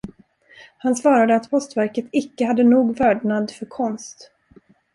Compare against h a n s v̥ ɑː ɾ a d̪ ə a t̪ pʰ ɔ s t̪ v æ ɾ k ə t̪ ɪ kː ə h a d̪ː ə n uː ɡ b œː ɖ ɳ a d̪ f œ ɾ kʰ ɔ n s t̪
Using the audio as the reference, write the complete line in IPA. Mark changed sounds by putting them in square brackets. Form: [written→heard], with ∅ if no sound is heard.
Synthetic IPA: h a n s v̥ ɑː ɾ a d̪ ə a t̪ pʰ ɔ s t̪ v æ ɾ k ə t̪ ɪ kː ə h a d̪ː ə n uː ɡ [b→v] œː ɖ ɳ a d̪ f œ ɾ kʰ ɔ n s t̪